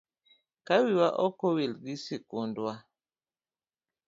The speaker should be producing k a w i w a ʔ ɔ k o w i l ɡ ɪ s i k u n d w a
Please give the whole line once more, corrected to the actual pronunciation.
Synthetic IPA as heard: k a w i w a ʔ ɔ k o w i l ɡ i s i k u n d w a

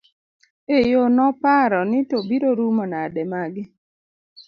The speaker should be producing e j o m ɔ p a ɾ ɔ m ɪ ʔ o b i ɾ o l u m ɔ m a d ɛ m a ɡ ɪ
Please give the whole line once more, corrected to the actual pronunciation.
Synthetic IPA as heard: e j o n ɔ p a ɾ ɔ n ɪ t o b i ɾ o ɾ u m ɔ n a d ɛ m a ɡ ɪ

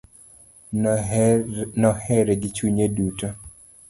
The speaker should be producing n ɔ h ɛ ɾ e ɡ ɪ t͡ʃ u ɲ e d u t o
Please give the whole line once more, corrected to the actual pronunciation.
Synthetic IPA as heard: n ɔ h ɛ ɾ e ɡ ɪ t͡ʃ u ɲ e d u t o

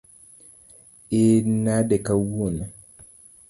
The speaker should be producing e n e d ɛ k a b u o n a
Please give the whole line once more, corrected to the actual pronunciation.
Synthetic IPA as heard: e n a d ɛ k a w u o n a

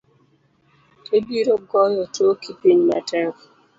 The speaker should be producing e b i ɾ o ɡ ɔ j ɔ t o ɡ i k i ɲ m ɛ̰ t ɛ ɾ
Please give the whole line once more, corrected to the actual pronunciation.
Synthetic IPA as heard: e b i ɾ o ɡ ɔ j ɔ t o k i p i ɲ m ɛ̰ t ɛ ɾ

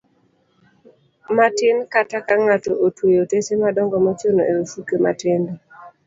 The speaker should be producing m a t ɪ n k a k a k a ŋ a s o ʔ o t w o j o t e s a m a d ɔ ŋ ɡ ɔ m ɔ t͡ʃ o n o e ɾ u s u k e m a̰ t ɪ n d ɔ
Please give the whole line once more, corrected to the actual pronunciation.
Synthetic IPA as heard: m a t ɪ n k a t a k a ŋ a t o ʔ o t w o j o t e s e m a d ɔ ŋ ɡ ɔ m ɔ t͡ʃ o n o e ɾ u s u k e m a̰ t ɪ n d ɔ

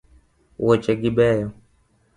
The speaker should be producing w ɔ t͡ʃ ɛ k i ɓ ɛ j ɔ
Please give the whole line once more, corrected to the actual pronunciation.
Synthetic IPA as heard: w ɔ t͡ʃ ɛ ɡ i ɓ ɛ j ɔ

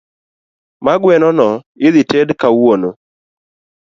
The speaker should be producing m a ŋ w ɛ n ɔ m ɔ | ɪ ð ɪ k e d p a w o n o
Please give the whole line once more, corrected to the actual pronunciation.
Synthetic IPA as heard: m a ɡ w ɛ n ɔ n ɔ | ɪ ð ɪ t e d k a w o n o

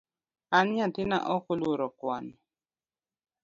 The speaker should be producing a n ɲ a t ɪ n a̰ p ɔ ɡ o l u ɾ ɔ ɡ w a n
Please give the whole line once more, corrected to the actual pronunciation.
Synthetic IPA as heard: a n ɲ a t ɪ n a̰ ʔ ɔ k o l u ɾ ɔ k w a n

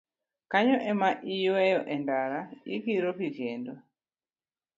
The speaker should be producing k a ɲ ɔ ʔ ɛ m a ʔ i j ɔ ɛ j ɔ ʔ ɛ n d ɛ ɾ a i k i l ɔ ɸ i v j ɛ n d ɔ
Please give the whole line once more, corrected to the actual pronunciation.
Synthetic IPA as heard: k a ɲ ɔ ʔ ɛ m a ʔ i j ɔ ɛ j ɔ ʔ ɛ n d a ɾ a i k i ɾ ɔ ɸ i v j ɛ n d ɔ

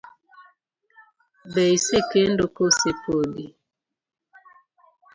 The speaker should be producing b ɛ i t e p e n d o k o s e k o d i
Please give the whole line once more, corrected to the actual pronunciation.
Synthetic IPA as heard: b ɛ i s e k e n d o k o s e p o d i

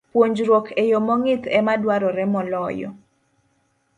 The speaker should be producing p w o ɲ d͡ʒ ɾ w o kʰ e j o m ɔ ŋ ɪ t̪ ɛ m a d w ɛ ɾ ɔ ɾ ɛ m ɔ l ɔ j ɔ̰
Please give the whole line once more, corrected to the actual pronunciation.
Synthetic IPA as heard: p w o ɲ d͡ʒ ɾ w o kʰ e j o m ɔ ŋ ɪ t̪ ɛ m a d w a ɾ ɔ ɾ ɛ m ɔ l ɔ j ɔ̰

